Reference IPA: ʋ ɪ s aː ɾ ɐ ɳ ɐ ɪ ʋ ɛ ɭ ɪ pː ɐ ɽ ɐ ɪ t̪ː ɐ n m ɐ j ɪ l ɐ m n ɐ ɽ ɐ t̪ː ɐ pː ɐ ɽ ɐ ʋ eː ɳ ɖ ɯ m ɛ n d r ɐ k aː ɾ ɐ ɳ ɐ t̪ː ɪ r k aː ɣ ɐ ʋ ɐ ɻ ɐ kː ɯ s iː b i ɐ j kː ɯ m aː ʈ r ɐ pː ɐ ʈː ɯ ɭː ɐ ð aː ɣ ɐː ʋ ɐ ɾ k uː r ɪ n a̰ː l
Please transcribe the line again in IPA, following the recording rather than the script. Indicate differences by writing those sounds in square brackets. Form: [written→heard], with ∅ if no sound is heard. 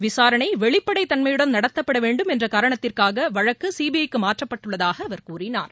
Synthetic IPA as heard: ʋ ɪ s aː ɾ ɐ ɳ ɐ ɪ ʋ ɛ ɭ ɪ pː ɐ ɽ ɐ ɪ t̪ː ɐ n m ɐ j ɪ [l→ɽ] ɐ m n ɐ ɽ ɐ t̪ː ɐ pː ɐ ɽ ɐ ʋ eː ɳ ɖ ɯ m ɛ n d r ɐ k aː ɾ ɐ ɳ ɐ t̪ː ɪ r k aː ɣ ɐ ʋ ɐ ɻ ɐ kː ɯ s iː b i ɐ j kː ɯ m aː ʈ r ɐ pː ɐ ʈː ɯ ɭː ɐ ð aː ɣ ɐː ʋ ɐ ɾ k uː r ɪ n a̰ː [l→ɾ]